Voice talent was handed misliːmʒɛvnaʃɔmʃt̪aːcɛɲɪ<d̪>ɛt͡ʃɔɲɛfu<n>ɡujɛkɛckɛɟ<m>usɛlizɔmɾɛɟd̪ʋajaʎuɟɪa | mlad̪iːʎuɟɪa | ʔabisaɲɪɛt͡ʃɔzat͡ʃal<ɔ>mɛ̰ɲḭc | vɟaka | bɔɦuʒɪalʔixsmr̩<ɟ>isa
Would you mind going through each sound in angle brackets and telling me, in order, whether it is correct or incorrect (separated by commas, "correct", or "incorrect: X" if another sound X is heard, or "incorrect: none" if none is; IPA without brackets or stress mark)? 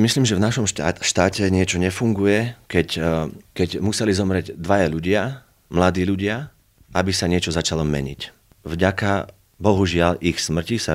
incorrect: none, incorrect: ŋ, correct, correct, incorrect: c